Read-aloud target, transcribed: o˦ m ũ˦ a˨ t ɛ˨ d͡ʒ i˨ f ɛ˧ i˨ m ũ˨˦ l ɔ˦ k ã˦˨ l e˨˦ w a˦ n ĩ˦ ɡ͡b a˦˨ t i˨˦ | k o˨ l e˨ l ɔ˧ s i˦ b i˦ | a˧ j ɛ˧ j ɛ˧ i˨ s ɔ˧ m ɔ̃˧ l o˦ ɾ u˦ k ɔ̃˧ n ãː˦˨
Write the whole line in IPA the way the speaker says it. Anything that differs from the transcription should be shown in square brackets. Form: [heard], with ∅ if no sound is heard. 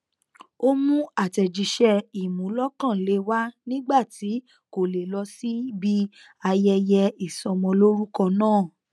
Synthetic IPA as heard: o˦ m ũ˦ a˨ t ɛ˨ d͡ʒ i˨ [ʃ] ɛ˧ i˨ m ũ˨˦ l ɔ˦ k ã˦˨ l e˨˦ w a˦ n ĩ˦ ɡ͡b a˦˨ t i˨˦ | k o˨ l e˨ l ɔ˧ s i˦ b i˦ | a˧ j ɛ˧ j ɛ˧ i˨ s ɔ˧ m ɔ̃˧ l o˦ ɾ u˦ k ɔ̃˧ n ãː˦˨